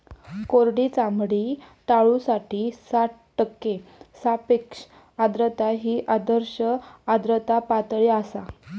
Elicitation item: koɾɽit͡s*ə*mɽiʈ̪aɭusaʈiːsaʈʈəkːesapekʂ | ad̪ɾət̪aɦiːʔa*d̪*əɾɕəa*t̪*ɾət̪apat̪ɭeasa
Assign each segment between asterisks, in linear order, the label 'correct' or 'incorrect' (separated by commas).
incorrect, correct, incorrect